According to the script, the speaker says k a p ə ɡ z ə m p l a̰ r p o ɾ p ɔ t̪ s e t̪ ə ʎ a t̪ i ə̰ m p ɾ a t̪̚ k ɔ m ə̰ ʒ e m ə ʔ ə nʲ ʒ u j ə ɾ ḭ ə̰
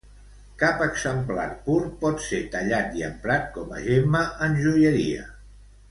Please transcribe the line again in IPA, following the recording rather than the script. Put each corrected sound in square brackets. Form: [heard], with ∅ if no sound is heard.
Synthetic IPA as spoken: k a p ə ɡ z ə m p l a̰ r p [u] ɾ p ɔ t̪ s e t̪ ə ʎ a t̪ i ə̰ m p ɾ a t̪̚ k ɔ m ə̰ ʒ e m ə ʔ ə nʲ ʒ u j ə ɾ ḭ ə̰